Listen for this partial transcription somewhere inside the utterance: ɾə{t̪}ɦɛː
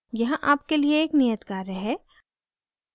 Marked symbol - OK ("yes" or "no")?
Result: no